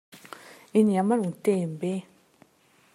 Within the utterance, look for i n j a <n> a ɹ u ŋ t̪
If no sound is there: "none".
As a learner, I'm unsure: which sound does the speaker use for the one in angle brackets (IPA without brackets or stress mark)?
m